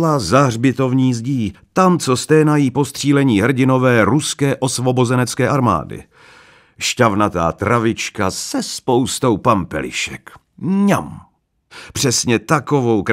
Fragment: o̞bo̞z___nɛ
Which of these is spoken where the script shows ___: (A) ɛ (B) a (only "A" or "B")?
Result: A